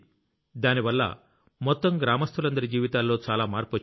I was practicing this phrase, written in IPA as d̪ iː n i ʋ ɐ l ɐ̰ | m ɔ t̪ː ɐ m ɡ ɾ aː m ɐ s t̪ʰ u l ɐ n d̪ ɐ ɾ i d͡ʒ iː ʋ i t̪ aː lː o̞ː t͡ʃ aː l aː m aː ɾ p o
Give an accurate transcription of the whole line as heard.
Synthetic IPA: d̪ aː n i ʋ ɐ lː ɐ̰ | m ɔ t̪ː ɐ m ɡ ɾ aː m ɐ s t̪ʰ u l ɐ n d̪ ɐ ɾ i d͡ʒ iː ʋ i t̪ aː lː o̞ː t͡ʃ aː l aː m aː ɾ p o